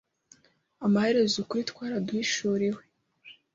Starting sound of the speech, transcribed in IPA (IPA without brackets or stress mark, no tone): a